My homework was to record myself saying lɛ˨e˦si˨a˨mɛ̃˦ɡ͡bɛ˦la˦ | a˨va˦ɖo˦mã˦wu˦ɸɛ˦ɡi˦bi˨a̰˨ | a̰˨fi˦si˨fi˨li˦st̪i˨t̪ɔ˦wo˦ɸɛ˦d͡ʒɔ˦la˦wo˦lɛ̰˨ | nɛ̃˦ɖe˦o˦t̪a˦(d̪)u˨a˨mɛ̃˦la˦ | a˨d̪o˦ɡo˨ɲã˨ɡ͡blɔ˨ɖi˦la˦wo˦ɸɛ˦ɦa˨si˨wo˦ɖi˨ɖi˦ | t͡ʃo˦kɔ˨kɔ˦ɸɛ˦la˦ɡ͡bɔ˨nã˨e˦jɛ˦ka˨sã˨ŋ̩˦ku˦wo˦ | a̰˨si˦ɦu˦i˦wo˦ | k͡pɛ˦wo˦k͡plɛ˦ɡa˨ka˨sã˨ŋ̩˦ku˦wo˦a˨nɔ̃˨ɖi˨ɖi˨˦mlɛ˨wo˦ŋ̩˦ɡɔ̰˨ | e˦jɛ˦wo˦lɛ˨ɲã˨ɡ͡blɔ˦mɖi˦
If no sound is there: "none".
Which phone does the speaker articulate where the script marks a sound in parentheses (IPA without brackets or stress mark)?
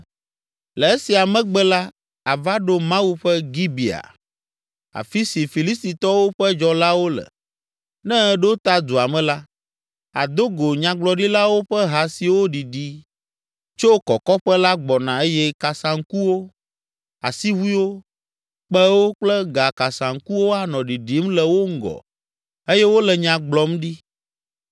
d̪